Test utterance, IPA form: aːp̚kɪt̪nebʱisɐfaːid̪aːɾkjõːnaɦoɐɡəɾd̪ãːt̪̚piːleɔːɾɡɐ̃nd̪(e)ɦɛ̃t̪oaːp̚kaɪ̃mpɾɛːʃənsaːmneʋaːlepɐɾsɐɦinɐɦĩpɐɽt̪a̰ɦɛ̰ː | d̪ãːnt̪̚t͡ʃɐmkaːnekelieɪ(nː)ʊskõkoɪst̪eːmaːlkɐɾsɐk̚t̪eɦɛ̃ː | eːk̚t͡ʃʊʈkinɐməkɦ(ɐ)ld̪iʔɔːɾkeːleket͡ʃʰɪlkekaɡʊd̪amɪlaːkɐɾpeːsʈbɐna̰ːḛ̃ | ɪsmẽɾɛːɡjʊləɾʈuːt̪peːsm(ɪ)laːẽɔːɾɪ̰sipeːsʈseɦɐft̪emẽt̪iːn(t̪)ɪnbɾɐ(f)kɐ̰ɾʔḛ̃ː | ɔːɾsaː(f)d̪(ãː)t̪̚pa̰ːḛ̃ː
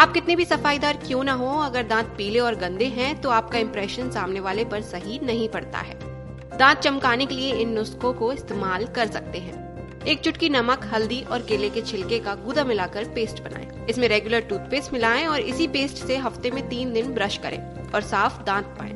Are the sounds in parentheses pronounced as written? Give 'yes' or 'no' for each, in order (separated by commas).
yes, yes, yes, yes, no, no, yes, yes